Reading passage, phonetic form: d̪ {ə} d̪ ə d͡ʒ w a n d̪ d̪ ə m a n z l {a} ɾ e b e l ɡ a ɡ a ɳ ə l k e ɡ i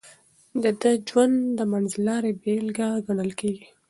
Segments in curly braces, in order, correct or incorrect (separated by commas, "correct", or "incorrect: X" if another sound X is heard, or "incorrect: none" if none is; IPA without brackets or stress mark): correct, incorrect: ɑ